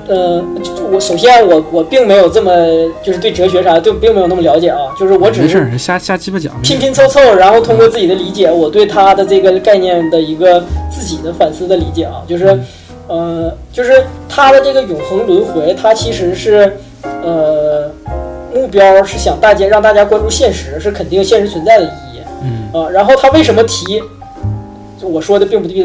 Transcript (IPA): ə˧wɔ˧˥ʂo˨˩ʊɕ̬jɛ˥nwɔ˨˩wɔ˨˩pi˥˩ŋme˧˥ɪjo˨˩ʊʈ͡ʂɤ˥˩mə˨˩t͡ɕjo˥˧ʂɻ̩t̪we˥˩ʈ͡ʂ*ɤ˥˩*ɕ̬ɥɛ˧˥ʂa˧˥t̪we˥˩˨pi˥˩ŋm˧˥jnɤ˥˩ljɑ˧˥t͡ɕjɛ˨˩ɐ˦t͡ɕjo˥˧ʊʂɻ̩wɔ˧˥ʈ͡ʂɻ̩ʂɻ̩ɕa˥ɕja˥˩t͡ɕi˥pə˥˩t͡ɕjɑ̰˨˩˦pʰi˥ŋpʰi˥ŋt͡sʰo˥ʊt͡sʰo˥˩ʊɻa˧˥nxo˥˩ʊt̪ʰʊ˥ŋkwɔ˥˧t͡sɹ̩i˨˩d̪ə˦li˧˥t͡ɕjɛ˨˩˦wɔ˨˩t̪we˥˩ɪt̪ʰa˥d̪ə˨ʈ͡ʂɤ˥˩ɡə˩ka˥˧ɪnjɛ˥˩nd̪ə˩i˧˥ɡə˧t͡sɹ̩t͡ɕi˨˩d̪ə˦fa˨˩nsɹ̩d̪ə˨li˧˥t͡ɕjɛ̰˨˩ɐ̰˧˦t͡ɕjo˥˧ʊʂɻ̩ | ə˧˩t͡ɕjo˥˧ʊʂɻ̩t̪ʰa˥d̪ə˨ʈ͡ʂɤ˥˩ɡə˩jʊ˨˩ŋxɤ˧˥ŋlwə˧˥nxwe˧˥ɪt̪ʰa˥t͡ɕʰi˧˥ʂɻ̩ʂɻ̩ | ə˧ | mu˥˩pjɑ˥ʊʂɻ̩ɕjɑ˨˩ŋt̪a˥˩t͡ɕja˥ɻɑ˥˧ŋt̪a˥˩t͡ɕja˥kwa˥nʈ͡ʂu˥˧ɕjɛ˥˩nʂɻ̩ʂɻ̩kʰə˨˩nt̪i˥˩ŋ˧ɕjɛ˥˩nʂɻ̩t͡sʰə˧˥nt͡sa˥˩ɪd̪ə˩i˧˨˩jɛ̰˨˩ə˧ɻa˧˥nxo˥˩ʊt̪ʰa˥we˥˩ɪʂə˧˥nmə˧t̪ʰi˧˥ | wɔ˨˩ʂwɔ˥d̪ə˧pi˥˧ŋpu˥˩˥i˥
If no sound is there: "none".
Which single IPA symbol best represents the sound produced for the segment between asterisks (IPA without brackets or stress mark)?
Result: ɤ˧˥˩